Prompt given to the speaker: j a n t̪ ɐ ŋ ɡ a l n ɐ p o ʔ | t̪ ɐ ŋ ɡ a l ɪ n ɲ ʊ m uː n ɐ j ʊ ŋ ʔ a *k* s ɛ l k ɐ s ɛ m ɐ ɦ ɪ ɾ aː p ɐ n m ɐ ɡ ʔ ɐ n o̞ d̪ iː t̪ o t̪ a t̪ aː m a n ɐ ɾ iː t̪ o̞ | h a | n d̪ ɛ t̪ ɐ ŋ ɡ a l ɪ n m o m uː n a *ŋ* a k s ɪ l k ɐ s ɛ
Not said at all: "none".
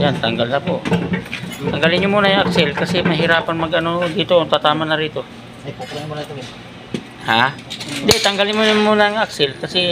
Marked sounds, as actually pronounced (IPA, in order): k, ŋ

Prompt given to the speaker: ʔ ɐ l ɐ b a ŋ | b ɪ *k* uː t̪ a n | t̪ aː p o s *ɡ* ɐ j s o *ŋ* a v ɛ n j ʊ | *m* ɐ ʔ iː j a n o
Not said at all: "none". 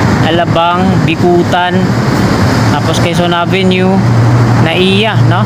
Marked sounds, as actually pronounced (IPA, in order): k, k, n, n

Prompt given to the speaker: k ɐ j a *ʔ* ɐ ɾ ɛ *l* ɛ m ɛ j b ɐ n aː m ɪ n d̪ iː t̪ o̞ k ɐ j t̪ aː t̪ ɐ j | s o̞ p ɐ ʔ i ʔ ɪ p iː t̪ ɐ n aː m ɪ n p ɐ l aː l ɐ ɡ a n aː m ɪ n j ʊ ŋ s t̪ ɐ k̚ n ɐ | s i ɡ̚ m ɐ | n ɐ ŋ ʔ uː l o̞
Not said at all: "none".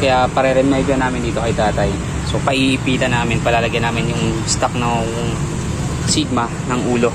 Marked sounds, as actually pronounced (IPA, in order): p, ɾ

